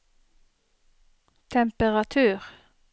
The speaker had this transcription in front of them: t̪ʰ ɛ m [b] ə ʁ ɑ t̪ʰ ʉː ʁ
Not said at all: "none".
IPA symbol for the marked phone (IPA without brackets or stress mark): p